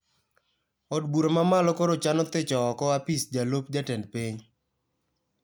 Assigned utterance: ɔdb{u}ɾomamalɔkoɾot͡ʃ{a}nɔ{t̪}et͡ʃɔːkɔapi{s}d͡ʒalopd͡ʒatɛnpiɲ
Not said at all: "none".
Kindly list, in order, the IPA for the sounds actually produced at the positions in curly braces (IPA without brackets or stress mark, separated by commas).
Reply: u, a, t̪, s